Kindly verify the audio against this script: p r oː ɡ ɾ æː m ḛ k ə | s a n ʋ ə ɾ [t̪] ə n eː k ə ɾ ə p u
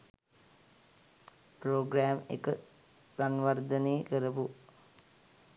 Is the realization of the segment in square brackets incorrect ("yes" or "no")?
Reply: yes